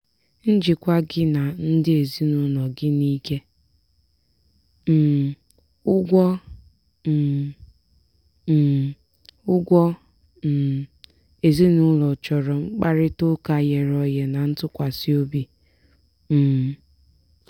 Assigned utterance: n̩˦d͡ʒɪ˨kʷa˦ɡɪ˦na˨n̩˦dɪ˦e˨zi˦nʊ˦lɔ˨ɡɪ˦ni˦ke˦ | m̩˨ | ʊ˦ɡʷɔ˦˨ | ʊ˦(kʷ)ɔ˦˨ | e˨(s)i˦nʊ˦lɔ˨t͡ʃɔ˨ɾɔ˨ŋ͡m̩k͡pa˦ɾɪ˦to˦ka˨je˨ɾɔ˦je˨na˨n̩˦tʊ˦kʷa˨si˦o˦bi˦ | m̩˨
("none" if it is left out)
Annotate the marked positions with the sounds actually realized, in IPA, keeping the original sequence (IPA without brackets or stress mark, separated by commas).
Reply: ɡʷ, z